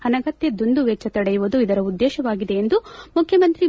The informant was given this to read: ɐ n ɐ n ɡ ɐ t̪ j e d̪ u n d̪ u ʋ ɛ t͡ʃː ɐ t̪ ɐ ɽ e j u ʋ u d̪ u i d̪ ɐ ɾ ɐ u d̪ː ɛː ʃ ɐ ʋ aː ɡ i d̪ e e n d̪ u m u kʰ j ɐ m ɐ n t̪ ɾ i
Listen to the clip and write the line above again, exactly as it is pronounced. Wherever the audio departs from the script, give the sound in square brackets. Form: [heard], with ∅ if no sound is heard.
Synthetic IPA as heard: ɐ n ɐ [∅] ɡ ɐ t̪ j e d̪ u n d̪ u ʋ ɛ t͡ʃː ɐ t̪ ɐ ɽ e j u ʋ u d̪ u i d̪ ɐ ɾ ɐ u d̪ː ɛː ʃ ɐ ʋ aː ɡ i d̪ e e n d̪ u m u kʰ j ɐ m ɐ n t̪ ɾ i